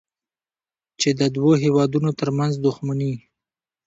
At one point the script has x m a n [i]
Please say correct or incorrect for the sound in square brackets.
correct